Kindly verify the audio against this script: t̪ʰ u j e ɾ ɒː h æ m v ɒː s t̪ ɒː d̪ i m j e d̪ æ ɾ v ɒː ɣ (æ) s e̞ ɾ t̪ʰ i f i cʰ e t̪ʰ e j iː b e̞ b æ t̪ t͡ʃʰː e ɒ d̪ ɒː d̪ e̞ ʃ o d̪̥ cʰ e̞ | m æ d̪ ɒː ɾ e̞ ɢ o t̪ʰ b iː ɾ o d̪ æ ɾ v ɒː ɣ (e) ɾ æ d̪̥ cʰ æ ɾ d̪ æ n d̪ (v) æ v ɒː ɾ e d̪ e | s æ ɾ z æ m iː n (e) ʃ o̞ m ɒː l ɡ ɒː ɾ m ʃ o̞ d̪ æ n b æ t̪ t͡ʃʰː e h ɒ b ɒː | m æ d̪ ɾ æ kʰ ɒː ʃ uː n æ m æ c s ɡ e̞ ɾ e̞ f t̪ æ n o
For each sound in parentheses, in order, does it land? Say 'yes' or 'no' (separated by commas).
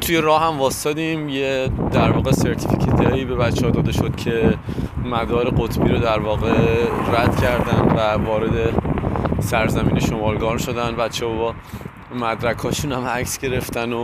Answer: no, yes, yes, yes